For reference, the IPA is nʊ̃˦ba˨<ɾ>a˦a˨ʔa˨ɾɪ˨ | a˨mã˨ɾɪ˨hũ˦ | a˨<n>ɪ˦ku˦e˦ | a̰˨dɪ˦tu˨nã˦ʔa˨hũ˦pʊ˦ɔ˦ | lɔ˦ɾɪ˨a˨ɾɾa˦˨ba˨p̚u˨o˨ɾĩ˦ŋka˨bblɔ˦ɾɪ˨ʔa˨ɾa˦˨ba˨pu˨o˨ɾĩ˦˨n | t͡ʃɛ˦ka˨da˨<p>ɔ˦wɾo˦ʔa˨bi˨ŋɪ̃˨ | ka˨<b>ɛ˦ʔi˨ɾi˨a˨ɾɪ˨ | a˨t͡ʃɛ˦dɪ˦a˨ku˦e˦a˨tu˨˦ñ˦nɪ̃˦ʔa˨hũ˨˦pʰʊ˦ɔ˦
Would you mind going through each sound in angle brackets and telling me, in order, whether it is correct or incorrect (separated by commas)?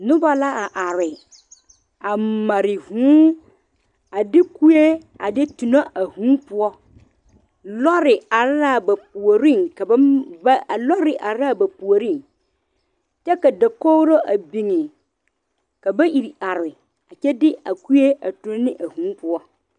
incorrect, incorrect, incorrect, correct